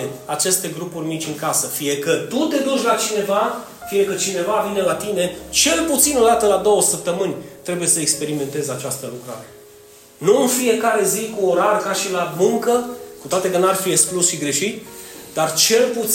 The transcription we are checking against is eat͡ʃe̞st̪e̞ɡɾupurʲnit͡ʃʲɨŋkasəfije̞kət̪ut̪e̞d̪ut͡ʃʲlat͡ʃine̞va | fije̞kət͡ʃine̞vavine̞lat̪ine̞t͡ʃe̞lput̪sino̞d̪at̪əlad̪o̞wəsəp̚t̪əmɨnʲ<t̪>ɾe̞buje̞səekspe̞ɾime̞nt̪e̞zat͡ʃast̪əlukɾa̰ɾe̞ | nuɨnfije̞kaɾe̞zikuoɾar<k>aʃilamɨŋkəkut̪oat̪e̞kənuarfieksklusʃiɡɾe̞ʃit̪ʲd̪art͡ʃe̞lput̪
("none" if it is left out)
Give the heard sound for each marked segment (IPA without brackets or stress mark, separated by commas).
t̪, k